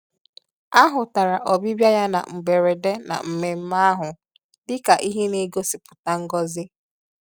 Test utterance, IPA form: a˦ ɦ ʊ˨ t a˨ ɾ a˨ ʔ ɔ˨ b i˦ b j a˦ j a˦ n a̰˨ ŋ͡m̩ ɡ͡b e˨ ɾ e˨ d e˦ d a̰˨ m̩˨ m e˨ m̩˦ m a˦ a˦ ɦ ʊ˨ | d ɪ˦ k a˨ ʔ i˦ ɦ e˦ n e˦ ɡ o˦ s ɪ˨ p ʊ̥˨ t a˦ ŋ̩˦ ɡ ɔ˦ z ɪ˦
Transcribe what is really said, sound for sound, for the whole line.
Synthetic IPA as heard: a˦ ɦ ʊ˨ t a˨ ɾ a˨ ʔ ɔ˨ b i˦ b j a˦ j a˦ n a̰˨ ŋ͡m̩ ɡ͡b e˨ ɾ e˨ d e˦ n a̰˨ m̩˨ m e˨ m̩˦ m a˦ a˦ ɦ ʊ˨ | d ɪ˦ k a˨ ʔ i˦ ɦ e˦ n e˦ ɡ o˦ s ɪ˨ p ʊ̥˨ t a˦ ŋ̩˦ ɡ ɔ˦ z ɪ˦